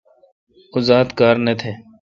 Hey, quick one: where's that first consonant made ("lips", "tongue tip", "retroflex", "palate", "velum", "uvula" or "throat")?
tongue tip